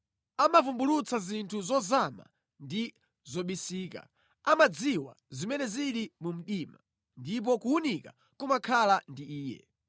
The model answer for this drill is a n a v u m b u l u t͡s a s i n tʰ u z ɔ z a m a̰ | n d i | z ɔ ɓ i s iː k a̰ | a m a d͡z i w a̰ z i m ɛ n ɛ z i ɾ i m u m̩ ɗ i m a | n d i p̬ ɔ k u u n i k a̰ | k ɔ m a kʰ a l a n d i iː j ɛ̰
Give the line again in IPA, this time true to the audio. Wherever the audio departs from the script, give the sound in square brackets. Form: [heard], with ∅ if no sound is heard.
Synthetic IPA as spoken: a [m] a v u m b u l u t͡s a [z] i n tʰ u z ɔ z a m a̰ | n d i | z ɔ ɓ i s iː k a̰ | a m a d͡z i w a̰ z i m ɛ n ɛ z i ɾ i m u m̩ ɗ i m a | n d i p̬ ɔ k u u n i k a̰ | k [u] m a kʰ a l a n d i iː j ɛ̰

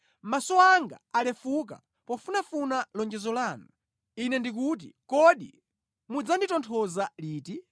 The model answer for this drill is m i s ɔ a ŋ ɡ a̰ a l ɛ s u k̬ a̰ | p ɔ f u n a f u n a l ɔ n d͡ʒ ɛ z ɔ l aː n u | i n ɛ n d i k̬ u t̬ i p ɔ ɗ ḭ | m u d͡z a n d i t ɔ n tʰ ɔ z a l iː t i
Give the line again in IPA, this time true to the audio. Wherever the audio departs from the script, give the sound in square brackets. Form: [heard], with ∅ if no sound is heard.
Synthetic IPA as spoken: m [a] s ɔ a ŋ ɡ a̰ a l ɛ [f] u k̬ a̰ | p ɔ f u n a f u n a l ɔ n d͡ʒ ɛ z ɔ l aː n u | i n ɛ n d i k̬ u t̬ i [k] ɔ ɗ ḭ | m u d͡z a n d i t ɔ n tʰ ɔ z a l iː t i

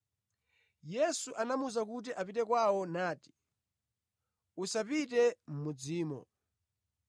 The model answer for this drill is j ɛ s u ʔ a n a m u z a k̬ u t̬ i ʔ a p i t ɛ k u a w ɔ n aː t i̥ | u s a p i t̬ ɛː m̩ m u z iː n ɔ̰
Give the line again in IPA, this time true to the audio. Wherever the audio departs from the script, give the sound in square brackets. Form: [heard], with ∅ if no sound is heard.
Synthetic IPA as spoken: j ɛ s u ʔ a n a m u z a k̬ u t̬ i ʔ a p i t ɛ k [w] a w ɔ n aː t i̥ | u s a p i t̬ [ɛ] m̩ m u [d͡z] iː [m] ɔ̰

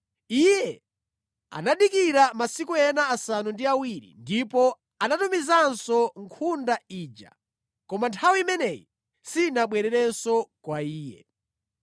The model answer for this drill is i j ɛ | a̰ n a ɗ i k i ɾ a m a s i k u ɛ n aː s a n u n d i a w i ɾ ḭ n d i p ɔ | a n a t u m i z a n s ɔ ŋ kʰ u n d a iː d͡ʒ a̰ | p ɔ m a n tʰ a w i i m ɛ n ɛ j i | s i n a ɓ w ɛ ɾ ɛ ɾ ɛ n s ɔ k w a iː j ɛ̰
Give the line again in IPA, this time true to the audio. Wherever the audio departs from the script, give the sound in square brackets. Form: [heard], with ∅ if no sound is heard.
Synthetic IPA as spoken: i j ɛ | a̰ n a ɗ i k i ɾ a m a s i k u ɛ n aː s a n u n d i a w i ɾ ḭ n d i p ɔ | a n a t u m i z a n s ɔ ŋ kʰ u n d a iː d͡ʒ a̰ | [k] ɔ m a n tʰ a w i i m ɛ n ɛ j i | s i n a ɓ w ɛ ɾ ɛ ɾ ɛ n s ɔ k w a iː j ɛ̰

